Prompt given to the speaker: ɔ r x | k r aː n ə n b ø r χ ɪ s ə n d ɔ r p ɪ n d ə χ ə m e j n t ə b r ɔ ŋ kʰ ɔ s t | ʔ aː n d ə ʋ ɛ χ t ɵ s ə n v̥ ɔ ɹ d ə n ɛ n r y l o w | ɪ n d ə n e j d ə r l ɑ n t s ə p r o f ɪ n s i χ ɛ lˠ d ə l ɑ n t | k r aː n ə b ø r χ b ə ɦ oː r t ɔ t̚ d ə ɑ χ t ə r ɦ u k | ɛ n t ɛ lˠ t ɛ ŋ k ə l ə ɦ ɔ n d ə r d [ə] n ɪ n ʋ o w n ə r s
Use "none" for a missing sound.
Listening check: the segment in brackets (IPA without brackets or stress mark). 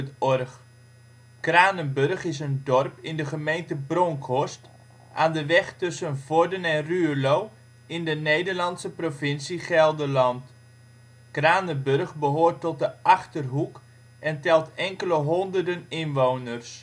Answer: ə